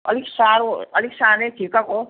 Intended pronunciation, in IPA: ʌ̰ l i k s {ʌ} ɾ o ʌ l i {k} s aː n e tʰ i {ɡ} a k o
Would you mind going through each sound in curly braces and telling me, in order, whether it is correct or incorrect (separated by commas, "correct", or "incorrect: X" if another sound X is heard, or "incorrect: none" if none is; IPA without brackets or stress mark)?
incorrect: a, correct, incorrect: k